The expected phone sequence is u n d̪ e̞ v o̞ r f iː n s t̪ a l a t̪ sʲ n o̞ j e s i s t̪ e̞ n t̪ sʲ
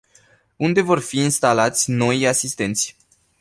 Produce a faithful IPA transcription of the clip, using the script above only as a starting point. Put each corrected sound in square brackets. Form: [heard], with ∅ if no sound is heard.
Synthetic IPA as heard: u n d̪ e̞ v o̞ r f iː n s t̪ a l a t̪ sʲ n o̞ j [a] s i s t̪ e̞ n t̪ sʲ